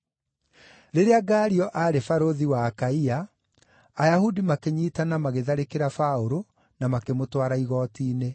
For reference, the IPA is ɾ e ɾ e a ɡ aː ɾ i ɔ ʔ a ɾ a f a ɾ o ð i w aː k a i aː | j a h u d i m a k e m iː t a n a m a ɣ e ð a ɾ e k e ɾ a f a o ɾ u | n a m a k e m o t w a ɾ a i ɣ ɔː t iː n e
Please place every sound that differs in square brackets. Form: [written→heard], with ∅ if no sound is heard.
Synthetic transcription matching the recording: ɾ e ɾ e a ɡ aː ɾ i ɔ ʔ a ɾ [a→e] f a ɾ o ð i w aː k a i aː | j a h u d i m a k e [m→ɲ] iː t a n a m a ɣ e ð a ɾ e k e ɾ a f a o ɾ [u→o] | n a m a k e m o t w a ɾ a i ɣ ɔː t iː n e